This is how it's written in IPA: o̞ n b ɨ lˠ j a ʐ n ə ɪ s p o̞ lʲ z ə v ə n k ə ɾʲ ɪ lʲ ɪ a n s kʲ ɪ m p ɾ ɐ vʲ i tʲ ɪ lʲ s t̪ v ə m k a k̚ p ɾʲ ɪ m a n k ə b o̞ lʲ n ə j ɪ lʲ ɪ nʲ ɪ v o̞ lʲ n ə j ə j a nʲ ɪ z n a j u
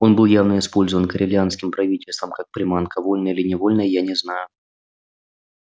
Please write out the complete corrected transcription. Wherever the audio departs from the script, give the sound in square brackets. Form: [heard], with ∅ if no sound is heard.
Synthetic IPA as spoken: o̞ n b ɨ lˠ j a [v] n ə ɪ s p o̞ lʲ z ə v ə n k ə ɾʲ ɪ lʲ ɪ a n s kʲ ɪ m p ɾ ɐ vʲ i tʲ ɪ lʲ s t̪ v ə m k a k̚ p ɾʲ ɪ m a n k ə [v] o̞ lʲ n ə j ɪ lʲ ɪ nʲ ɪ v o̞ lʲ n ə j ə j a nʲ ɪ z n a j [ʊ]